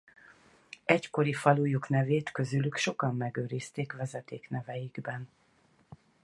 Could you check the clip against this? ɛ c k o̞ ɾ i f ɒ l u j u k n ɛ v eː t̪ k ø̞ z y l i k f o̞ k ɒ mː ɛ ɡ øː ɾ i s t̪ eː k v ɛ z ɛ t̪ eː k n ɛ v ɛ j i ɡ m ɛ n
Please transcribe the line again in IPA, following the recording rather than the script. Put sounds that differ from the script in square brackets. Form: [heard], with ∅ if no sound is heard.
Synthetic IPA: ɛ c k o̞ ɾ i f ɒ l u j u k n ɛ v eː t̪ k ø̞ z y l [y] k [ʃ] o̞ k ɒ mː ɛ ɡ øː ɾ i s t̪ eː k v ɛ z ɛ t̪ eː k n ɛ v ɛ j i ɡ [b] ɛ n